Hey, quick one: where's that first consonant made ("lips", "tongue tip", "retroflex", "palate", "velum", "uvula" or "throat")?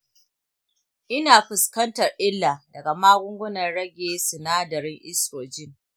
throat